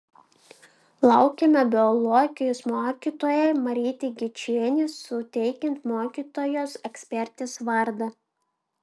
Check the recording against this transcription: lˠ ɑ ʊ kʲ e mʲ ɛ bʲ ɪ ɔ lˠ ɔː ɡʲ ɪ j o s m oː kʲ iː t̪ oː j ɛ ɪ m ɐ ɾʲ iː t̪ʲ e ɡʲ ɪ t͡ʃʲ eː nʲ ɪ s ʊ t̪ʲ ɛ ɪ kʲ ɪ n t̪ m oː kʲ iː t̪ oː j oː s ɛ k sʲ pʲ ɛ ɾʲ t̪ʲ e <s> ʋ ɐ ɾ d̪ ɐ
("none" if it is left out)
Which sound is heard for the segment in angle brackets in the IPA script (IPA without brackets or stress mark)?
s